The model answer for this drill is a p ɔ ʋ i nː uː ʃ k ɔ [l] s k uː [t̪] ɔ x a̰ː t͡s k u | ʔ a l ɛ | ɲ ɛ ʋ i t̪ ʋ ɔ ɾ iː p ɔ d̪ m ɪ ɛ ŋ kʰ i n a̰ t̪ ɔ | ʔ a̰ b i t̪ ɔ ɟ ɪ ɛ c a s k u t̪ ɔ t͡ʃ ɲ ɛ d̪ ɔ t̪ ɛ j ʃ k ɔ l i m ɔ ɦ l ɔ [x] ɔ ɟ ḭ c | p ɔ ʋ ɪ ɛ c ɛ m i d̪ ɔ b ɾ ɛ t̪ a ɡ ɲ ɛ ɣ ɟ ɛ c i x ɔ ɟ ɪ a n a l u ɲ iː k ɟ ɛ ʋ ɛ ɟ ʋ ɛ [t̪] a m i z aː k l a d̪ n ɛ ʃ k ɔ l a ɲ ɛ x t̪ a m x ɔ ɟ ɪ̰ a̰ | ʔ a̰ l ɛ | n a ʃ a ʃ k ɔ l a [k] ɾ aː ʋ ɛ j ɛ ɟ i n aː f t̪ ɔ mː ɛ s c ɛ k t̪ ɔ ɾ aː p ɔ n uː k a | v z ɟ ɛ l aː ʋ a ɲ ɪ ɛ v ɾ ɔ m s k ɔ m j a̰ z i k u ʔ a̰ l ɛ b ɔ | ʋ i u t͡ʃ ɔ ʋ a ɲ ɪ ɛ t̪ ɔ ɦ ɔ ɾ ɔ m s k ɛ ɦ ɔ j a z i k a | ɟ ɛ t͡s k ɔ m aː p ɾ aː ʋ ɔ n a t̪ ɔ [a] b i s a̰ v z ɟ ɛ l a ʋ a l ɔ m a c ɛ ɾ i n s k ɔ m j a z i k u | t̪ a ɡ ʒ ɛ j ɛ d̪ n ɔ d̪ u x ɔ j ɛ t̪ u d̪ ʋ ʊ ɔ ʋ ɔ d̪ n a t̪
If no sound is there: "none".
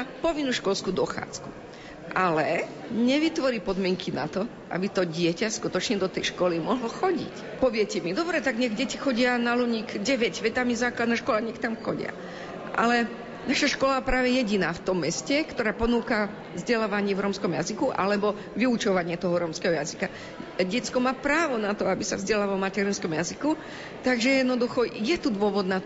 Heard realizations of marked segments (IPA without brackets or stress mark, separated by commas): l, d̪, x, t̪, p, a